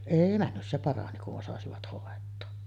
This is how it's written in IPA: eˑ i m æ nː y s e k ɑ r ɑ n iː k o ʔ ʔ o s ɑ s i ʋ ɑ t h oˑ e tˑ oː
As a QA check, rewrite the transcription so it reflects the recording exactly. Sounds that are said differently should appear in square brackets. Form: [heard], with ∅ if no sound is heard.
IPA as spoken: eˑ i m æ nː y s e [p] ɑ r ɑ n [i] k [u] ʔ ʔ o s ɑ s i ʋ ɑ t h oˑ e tˑ oː

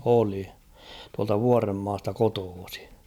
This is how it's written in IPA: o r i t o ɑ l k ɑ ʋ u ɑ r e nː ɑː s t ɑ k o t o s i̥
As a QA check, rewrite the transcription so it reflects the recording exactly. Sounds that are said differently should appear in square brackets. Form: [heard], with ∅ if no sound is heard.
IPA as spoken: o [l] i t [u] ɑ l [t] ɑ ʋ u ɑ r e [mː] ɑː s t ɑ k o t [oː] s i̥

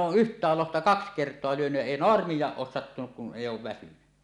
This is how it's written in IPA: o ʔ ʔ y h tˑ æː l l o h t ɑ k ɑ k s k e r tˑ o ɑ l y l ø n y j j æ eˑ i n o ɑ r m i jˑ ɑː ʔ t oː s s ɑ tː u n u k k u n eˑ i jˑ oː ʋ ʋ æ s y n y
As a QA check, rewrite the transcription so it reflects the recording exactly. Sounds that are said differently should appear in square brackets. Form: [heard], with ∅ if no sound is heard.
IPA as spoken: [oː] ʔ ʔ y h tˑ æː l l o h t ɑ k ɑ k s k e r tˑ o ɑ l y [∅] ø n y j j æ eˑ i n o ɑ r m i jˑ ɑː ʔ [ʔ] oː s s ɑ tː u n u k k u n eˑ i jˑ oː ʋ ʋ æ s y n y

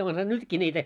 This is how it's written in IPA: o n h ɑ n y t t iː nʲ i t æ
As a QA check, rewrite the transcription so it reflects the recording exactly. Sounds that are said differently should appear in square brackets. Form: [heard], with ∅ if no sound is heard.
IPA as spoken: o n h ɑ n y t [k] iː nʲ [iː] t æ

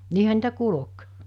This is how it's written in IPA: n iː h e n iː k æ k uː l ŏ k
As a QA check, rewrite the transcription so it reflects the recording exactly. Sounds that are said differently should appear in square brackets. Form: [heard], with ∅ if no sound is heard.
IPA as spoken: n iː h [æ] n iː [t] æ k [u] l ŏ k

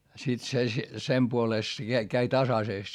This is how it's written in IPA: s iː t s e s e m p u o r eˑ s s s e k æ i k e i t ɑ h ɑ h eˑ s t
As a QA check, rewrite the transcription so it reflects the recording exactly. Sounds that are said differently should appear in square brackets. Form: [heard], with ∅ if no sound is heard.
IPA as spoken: s [i] t s e s e m p u o [l] eˑ s [t] s e k æ i k [æ] i t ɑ [s] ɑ [s] eˑ s t

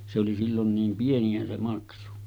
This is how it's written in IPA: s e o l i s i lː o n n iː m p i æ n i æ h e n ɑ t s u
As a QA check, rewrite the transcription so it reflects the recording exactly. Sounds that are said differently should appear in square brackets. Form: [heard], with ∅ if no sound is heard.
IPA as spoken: s e o l i s i lː o n n iː m p i [e] n i æ [s] e [m] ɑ [k] s u

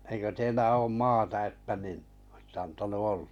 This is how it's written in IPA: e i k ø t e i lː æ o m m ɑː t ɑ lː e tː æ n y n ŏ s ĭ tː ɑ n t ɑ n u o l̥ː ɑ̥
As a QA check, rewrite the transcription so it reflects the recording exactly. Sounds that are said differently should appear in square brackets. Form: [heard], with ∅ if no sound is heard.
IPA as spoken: e i k ø t e i lː æ [oː] m m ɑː t ɑ [∅] e tː æ n [i] n ŏ s ĭ tː ɑ n t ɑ n u o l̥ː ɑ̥

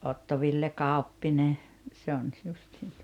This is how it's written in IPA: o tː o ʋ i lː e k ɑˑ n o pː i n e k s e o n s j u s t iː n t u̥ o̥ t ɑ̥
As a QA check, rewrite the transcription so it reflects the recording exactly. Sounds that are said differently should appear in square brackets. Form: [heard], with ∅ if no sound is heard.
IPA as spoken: o tː o ʋ i lː e k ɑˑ [∅] o pː i n e [∅] s e o n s j u s t iː n t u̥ o̥ t ɑ̥

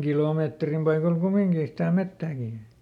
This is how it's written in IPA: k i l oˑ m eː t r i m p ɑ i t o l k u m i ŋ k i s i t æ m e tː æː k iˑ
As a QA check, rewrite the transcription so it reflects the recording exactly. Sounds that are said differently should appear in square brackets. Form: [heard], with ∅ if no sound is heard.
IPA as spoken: k i l oˑ m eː t r i m p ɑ i [k] o l k u m i ŋ k [iː] s i t æ m e tː æː k iˑ

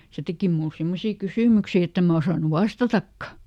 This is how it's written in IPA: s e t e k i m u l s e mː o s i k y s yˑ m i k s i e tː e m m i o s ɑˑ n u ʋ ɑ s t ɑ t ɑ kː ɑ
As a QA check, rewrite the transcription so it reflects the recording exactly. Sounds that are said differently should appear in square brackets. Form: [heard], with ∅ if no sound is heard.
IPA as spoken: s e t e k i m u l s [i] mː o s [iː] k y s yˑ m [y] k s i e tː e m m [æ] o s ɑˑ n u ʋ ɑ s t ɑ t ɑ kː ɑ

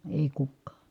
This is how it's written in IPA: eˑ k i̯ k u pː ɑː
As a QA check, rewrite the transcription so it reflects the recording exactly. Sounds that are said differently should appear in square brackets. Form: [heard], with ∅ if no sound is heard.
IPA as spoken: eˑ [∅] i̯ k u [kː] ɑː

